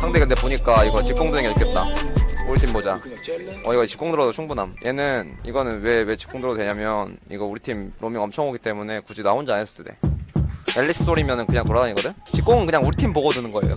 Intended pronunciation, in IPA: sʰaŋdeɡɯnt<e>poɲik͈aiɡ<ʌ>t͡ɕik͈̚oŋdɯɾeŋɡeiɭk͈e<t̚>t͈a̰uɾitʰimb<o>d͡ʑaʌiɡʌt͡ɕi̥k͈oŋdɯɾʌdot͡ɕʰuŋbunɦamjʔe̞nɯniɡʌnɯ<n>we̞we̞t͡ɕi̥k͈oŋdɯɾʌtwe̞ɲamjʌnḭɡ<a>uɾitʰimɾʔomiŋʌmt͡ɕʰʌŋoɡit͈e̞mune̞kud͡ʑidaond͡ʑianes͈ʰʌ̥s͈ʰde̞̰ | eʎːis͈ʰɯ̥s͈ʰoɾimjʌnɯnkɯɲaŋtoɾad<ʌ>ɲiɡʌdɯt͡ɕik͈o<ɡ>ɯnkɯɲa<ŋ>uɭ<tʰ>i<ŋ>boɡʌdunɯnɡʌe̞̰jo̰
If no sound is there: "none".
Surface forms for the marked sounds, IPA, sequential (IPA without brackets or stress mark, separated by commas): e, ʌ, t̚, o, n, ʌ, a, ŋ, ŋ, tʰ, m